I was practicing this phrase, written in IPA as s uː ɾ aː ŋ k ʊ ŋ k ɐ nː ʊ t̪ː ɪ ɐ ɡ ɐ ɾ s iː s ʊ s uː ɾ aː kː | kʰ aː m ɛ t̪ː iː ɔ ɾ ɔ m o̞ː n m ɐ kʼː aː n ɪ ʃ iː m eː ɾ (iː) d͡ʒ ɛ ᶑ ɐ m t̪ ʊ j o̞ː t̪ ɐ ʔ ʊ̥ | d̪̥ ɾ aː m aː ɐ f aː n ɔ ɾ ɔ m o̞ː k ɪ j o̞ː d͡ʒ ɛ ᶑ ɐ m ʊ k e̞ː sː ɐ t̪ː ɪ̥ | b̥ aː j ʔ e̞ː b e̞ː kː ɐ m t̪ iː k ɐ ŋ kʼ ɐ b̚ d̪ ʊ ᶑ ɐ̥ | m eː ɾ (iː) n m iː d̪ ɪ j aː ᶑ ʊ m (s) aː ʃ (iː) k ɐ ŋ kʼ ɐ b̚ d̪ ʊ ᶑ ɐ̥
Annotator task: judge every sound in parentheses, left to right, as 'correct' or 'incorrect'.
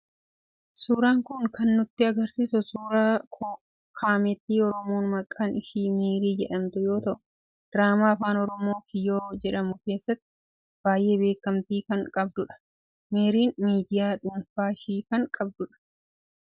correct, correct, incorrect, correct

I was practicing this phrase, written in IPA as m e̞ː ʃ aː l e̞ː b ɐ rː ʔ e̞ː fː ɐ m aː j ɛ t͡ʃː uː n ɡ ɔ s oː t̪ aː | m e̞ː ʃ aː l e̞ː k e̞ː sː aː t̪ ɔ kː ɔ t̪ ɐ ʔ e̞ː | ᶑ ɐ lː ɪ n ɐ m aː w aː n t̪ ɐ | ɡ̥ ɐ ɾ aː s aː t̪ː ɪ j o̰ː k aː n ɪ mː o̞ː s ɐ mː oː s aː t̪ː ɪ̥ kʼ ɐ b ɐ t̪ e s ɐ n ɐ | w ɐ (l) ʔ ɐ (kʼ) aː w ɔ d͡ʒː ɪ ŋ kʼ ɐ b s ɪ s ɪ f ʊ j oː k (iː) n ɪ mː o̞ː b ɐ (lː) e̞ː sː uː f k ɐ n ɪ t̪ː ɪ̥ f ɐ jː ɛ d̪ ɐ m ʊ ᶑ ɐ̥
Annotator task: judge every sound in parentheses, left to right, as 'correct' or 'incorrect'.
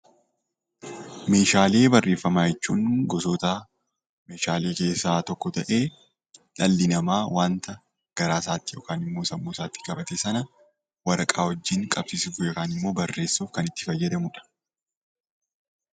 incorrect, correct, incorrect, incorrect

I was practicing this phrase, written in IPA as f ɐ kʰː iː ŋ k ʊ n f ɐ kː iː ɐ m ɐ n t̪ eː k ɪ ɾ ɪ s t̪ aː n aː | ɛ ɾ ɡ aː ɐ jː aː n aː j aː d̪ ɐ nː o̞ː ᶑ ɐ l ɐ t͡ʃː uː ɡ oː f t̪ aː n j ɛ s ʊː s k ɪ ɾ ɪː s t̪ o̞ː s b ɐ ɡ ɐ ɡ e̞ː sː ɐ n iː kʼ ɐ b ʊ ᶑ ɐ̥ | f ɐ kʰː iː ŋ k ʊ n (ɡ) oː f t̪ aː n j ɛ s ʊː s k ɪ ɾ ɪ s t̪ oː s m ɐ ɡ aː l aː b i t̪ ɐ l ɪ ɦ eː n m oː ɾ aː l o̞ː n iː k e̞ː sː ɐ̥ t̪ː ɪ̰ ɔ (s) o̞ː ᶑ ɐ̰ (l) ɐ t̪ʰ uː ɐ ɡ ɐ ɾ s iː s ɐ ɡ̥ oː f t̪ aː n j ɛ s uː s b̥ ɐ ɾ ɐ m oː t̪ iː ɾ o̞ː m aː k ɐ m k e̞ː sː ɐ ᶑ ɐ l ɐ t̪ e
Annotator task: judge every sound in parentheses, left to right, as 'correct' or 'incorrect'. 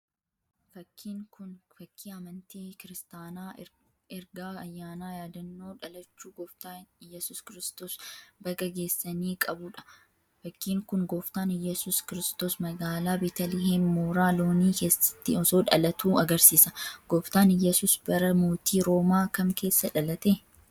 correct, correct, correct

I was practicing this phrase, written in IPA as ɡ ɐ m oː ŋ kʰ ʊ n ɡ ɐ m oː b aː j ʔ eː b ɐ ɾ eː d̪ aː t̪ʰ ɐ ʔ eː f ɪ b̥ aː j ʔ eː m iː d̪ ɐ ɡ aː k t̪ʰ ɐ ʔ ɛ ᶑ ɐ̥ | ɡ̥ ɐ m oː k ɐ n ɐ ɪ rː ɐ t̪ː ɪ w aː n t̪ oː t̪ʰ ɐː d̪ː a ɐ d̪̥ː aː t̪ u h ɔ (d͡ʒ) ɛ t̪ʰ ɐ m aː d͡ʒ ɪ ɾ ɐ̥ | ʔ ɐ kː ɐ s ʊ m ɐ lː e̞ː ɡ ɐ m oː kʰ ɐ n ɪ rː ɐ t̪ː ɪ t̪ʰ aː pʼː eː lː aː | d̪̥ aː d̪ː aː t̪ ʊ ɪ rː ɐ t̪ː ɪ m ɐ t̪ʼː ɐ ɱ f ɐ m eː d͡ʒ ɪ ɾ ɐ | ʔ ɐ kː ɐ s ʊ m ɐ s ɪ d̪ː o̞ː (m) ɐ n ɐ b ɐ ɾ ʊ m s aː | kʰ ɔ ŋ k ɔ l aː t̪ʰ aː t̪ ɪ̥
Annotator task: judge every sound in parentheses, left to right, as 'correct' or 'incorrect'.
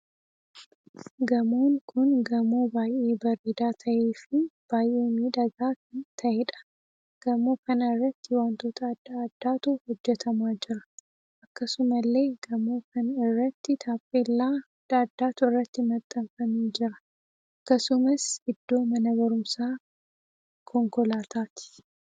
incorrect, correct

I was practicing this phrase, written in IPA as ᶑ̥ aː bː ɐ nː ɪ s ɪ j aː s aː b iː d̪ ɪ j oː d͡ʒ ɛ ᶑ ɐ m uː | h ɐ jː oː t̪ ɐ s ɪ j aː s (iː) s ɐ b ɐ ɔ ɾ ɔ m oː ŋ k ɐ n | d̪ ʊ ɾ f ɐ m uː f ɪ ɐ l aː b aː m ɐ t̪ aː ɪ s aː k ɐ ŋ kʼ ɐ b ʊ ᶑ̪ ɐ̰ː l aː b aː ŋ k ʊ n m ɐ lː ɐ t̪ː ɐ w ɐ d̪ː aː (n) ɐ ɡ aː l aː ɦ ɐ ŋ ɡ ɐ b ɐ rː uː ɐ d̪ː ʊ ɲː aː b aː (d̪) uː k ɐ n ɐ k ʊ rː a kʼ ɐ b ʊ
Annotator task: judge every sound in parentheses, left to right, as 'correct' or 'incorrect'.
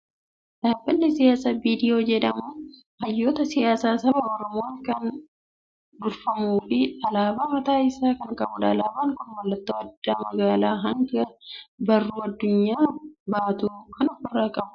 incorrect, incorrect, incorrect

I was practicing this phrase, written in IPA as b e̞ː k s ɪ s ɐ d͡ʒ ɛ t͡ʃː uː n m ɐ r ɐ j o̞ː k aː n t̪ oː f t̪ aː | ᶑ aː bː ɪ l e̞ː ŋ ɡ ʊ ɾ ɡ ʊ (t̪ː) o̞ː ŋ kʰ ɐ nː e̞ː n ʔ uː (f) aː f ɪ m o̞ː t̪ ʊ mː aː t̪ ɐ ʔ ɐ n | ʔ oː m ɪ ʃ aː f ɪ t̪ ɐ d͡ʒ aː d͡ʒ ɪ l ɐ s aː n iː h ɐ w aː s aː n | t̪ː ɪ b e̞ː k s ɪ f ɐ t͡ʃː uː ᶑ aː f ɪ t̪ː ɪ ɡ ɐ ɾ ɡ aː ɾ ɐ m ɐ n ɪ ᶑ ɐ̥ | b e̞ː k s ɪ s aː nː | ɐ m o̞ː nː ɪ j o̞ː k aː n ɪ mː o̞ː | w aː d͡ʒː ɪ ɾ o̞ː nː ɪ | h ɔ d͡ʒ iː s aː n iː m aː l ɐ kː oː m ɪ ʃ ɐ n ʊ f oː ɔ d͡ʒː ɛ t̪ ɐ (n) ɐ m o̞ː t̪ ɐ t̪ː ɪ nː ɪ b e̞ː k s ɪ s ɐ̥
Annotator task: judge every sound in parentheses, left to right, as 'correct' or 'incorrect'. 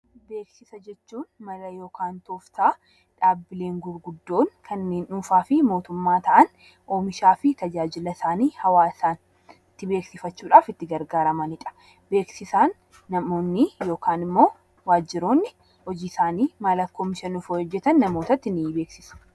incorrect, correct, incorrect

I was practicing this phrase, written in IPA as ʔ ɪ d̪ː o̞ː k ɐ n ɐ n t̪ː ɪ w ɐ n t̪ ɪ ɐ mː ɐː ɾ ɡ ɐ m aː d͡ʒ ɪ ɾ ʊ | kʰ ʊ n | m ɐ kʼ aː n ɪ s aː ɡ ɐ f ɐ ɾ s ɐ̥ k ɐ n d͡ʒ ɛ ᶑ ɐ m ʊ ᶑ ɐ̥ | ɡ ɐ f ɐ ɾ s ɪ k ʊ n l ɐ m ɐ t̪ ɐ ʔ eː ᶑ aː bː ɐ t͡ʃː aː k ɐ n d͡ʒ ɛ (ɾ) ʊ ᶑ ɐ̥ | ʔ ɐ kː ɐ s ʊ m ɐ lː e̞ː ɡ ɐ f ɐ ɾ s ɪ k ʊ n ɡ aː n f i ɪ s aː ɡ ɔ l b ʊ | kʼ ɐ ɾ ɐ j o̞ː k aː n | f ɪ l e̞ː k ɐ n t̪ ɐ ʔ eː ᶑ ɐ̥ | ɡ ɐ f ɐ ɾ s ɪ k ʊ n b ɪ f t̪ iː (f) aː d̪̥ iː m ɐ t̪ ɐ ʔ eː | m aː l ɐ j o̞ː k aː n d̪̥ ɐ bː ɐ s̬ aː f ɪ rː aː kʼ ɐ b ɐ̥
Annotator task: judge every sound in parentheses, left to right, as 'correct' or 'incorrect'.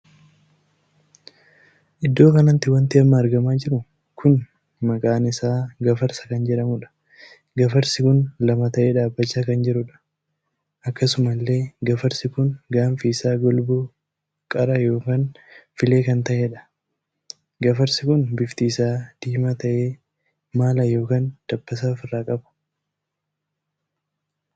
correct, incorrect

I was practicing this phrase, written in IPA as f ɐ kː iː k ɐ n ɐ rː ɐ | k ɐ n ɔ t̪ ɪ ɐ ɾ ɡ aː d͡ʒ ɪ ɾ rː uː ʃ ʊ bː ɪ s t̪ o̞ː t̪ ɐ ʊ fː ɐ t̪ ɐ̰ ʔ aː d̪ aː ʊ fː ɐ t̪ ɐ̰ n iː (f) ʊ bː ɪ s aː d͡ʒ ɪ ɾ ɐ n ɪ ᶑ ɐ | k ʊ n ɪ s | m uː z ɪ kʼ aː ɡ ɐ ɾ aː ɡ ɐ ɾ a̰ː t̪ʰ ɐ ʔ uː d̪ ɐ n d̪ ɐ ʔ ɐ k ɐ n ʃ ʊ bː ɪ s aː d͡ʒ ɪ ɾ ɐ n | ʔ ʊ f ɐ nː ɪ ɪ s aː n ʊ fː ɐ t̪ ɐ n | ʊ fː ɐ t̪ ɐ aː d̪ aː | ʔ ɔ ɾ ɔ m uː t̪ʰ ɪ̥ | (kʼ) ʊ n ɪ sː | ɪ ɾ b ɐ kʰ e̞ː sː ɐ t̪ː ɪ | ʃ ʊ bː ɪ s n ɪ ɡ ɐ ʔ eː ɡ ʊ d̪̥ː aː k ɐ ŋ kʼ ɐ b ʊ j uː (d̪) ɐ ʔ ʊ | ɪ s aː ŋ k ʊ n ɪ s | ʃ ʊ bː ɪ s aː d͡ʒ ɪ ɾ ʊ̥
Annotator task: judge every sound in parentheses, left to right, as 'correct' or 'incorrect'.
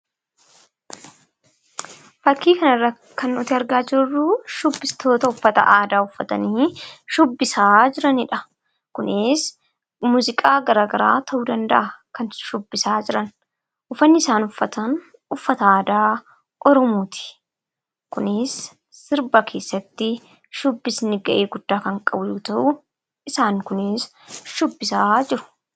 incorrect, incorrect, incorrect

